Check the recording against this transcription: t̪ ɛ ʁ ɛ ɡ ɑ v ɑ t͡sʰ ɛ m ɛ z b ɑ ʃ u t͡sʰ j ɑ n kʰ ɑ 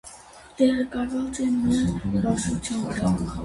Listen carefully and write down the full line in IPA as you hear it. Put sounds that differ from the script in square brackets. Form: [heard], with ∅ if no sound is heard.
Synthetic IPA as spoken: t̪ ɛ ʁ ɛ [k] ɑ v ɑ [t͡s] ɛ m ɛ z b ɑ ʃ u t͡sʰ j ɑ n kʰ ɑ